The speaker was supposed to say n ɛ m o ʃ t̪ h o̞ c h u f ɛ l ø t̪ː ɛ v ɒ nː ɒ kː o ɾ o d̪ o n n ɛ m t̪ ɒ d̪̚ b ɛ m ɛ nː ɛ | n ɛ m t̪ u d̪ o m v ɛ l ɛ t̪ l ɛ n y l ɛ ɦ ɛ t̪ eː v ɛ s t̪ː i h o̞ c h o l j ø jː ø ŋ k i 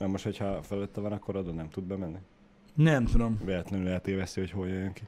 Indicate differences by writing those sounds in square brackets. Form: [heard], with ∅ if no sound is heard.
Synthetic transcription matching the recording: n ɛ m o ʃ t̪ h o̞ c h [ɒ] f ɛ l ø t̪ː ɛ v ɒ [n] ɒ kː o ɾ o d̪ o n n ɛ m t̪ [u] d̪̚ b ɛ m ɛ nː [i] | n ɛ m t̪ u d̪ o m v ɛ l ɛ t̪ l ɛ n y l ɛ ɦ ɛ t̪ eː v ɛ s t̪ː i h o̞ c h o l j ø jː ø ŋ k i